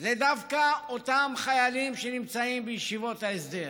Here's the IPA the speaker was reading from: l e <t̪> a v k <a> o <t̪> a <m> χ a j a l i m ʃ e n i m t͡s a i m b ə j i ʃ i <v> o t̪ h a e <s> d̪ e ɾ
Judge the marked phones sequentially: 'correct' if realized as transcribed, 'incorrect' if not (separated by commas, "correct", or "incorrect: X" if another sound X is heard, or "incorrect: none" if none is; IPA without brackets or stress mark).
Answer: incorrect: d̪, correct, correct, correct, correct, correct